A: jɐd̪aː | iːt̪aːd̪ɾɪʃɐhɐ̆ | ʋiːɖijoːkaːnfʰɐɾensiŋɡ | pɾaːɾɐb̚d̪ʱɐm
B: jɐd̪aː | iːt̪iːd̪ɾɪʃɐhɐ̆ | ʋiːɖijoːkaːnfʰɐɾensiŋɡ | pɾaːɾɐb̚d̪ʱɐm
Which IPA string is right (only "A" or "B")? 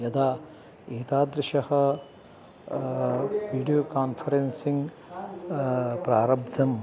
A